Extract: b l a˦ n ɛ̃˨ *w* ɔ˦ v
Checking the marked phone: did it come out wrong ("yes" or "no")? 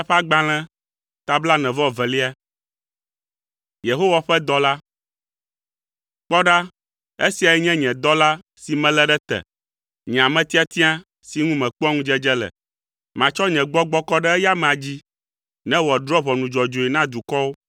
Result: yes